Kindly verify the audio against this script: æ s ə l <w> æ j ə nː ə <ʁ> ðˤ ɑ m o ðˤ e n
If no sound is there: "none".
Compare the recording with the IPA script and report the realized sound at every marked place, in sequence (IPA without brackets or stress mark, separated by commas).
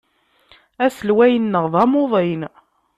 w, ʁ